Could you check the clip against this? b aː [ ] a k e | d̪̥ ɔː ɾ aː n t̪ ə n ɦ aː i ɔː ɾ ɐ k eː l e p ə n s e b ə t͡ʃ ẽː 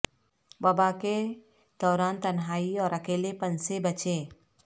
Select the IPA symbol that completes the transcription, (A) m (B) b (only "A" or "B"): B